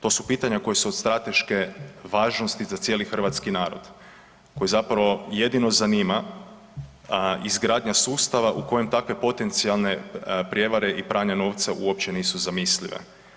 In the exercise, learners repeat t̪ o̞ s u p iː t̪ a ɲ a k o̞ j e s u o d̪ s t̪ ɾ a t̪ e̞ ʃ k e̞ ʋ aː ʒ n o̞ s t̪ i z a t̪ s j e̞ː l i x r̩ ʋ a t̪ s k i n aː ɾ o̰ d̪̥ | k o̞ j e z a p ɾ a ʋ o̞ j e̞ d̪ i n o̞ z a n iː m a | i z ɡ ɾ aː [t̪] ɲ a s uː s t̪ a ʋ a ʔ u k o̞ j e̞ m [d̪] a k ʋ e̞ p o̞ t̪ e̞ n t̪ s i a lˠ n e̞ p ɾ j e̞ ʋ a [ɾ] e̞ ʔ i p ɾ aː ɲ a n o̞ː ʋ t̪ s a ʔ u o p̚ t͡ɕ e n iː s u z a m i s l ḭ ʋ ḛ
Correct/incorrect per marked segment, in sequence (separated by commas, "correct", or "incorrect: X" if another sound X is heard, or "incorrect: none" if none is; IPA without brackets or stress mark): incorrect: d̪, incorrect: t̪, correct